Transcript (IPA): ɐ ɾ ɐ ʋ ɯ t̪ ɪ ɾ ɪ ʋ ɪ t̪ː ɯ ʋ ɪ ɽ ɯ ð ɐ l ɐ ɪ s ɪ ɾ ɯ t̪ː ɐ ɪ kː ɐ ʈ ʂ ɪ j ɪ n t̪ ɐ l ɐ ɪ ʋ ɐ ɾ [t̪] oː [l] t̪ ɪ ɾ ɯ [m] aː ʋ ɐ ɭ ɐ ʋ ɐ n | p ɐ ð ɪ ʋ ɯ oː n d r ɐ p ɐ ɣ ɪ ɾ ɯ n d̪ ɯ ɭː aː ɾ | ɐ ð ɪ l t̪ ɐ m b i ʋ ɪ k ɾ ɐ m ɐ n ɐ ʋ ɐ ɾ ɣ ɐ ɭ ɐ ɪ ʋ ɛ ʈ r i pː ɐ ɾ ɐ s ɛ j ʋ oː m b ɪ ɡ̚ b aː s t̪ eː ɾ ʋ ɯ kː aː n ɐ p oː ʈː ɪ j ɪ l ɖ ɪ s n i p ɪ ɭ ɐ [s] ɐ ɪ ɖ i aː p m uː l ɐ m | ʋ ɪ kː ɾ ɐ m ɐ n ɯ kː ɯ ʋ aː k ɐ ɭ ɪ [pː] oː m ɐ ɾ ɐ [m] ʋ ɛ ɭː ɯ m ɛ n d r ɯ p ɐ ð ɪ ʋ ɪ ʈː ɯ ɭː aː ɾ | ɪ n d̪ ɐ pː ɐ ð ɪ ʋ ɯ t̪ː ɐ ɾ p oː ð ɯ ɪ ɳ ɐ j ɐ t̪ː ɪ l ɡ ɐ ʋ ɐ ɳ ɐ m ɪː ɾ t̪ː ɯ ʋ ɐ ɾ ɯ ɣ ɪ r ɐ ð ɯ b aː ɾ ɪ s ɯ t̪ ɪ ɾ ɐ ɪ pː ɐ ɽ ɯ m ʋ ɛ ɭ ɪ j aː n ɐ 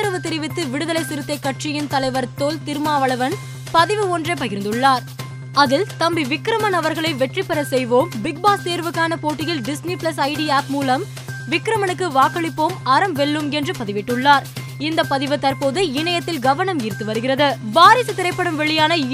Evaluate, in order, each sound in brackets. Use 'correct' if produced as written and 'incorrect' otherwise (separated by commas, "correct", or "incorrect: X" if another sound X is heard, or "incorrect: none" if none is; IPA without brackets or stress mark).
correct, correct, correct, correct, correct, correct